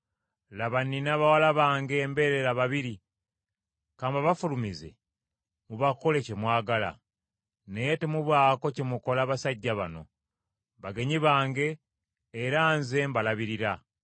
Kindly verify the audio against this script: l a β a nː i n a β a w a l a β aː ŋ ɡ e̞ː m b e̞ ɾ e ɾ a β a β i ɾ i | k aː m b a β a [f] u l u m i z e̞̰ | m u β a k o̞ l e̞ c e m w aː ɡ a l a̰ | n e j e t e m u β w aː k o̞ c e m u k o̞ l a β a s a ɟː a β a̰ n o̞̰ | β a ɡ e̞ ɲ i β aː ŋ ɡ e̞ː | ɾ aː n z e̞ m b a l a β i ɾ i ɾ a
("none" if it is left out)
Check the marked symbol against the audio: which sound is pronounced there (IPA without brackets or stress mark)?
f